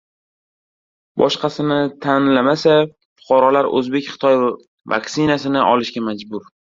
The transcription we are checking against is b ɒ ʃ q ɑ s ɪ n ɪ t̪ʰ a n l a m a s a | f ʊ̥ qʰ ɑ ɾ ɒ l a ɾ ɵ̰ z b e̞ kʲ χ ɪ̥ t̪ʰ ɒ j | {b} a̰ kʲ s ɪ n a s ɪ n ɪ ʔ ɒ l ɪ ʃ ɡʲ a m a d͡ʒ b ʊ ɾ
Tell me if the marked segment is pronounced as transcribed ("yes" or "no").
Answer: no